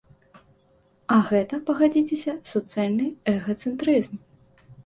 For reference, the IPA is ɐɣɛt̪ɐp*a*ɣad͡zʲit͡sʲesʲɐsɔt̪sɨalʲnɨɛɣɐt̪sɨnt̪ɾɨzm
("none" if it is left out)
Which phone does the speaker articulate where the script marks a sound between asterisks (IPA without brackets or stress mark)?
ɐ